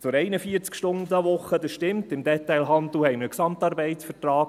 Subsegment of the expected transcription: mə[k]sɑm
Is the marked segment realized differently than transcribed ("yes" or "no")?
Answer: no